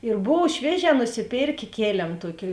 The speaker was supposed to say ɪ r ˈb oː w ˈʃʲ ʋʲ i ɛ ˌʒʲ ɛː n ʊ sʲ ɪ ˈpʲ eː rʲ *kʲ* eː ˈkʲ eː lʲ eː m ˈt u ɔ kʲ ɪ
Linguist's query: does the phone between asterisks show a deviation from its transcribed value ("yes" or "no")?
no